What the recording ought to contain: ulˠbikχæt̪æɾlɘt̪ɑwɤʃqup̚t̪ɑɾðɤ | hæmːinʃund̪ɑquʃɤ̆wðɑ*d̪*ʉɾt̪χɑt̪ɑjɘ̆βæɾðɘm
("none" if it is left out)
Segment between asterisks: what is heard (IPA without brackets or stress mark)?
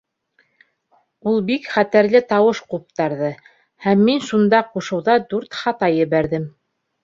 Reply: d̪